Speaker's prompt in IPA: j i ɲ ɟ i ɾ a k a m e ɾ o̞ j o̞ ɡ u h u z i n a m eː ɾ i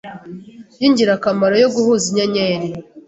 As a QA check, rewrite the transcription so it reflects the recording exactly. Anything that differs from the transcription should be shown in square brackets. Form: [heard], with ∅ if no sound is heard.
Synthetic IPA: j i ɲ ɟ i ɾ a k a m [a] ɾ o̞ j o̞ ɡ u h u z i [ɲ] a [ɲ] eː ɾ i